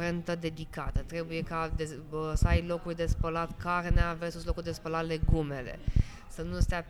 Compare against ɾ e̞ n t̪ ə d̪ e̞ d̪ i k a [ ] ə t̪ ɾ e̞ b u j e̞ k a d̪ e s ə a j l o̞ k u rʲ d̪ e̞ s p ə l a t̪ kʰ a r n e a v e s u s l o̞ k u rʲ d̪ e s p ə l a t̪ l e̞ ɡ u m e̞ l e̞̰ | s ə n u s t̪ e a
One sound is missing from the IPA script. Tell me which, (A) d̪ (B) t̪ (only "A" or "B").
B